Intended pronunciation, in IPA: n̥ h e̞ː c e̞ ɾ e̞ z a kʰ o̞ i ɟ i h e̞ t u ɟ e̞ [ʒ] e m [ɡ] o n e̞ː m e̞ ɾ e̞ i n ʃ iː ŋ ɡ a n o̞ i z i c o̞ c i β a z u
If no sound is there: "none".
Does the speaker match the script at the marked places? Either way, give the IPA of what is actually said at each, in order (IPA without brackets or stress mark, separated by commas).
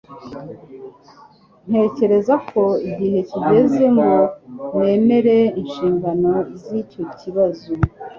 z, ɡ